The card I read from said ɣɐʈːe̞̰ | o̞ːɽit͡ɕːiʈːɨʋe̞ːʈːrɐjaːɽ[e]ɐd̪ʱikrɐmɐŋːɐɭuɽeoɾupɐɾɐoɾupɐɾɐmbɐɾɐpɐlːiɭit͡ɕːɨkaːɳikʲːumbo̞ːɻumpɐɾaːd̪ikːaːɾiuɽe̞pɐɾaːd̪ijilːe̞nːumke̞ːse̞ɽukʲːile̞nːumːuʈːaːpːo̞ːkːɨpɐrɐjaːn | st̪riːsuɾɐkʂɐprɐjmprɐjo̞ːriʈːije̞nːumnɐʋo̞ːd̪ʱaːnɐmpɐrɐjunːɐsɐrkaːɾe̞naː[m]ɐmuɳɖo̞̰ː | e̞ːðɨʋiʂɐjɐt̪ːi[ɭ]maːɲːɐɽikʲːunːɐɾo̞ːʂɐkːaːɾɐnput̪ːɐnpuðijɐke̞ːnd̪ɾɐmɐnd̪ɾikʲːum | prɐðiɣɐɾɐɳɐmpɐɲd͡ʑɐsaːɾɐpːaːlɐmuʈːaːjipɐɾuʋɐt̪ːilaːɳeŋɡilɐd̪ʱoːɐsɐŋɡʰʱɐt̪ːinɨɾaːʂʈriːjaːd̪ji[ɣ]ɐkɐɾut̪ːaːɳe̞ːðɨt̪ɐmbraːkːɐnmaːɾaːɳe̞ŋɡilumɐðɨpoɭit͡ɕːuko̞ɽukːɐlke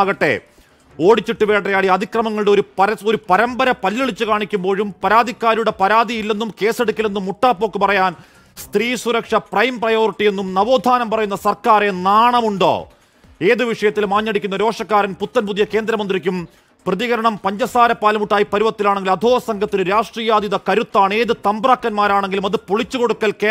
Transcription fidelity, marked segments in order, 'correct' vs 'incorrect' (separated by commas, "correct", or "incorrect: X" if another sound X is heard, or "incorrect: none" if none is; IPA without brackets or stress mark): incorrect: i, incorrect: ɳ, incorrect: l, incorrect: ð